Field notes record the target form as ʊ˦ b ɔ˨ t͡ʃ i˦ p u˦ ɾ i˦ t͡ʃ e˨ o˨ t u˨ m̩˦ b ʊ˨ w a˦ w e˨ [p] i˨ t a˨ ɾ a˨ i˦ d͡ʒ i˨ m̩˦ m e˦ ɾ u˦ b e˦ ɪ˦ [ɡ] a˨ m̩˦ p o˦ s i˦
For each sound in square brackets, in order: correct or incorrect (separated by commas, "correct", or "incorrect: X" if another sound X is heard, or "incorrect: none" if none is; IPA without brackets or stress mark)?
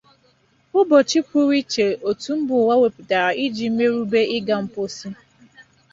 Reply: correct, correct